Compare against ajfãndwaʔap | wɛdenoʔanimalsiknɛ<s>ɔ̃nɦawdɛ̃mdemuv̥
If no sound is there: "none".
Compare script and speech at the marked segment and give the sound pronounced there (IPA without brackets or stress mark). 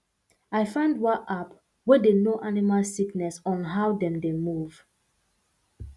s